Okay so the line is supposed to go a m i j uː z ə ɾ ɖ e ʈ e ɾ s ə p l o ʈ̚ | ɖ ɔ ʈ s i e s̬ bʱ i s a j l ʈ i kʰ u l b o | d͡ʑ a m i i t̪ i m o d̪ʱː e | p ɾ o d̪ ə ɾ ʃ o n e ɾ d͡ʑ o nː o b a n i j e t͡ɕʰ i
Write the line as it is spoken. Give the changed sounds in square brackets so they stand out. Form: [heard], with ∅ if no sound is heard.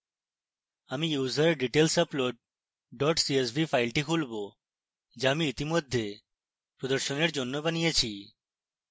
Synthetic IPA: a m i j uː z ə ɾ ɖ [i] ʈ e [l] s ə p l o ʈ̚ | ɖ ɔ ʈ s i e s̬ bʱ i [f] a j l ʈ i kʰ u l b o | d͡ʑ a m i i t̪ i m o d̪ʱː e | p ɾ o d̪ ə ɾ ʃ o n e ɾ d͡ʑ o nː o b a n i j e t͡ɕʰ i